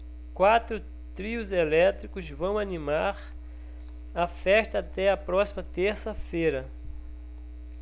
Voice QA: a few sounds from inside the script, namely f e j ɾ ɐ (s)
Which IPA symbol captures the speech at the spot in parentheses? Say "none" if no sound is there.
none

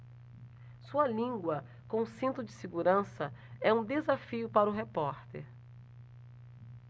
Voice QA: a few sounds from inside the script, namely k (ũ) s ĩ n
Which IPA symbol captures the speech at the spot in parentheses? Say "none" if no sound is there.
õ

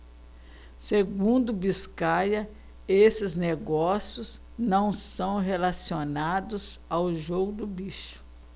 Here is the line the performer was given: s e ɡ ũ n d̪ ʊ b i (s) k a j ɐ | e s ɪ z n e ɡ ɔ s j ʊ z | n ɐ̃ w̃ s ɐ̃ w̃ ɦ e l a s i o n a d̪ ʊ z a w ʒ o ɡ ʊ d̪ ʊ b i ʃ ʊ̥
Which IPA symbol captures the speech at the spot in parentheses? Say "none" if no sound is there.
s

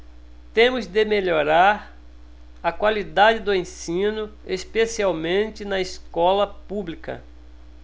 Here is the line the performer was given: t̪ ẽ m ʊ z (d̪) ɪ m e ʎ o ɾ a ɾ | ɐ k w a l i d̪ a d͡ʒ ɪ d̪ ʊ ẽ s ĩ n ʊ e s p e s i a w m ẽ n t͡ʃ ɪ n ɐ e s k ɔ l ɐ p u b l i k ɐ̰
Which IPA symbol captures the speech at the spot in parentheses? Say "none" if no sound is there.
d̪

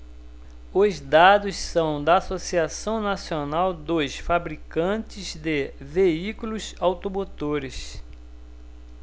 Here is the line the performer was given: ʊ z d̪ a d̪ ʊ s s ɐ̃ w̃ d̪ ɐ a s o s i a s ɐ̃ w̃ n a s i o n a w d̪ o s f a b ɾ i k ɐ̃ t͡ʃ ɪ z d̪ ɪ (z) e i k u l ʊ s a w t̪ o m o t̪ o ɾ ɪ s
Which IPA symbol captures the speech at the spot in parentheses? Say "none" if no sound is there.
v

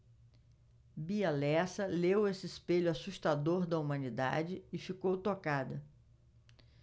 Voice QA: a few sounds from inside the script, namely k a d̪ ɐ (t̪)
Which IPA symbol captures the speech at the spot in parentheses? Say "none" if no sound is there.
none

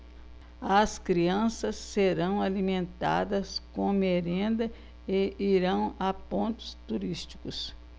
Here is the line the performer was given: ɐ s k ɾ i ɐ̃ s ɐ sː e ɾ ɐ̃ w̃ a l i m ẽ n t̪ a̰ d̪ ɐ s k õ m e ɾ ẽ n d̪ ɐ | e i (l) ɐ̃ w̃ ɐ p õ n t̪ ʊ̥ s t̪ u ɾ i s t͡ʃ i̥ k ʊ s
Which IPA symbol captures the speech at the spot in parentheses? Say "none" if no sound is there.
ɾ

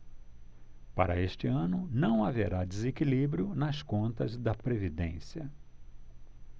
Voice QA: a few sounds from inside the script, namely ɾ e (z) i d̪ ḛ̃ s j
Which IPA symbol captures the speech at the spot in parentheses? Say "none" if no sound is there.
v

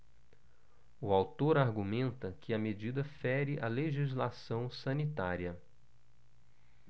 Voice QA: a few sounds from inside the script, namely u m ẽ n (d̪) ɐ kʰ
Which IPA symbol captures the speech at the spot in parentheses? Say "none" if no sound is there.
t̪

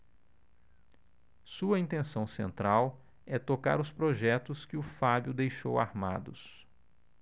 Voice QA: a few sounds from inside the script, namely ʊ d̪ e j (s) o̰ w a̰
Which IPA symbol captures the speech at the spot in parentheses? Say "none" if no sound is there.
ʃ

